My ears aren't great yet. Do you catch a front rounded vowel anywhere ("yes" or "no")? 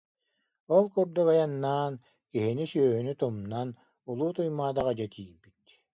yes